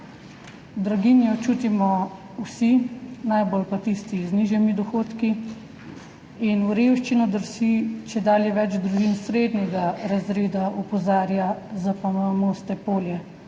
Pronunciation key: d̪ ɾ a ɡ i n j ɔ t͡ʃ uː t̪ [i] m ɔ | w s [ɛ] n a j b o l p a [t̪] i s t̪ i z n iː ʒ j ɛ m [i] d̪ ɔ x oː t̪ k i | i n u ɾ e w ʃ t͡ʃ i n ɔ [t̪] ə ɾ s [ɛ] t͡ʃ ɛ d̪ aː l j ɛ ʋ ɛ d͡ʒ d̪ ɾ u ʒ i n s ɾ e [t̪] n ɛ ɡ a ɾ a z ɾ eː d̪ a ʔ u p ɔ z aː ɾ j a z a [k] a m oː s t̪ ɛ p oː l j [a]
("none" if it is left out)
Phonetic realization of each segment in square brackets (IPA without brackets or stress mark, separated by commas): i, i, t̪, i, d̪, i, d̪, p, ɛ